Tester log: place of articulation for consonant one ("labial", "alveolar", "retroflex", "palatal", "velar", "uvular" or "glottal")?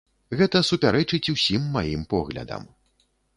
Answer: velar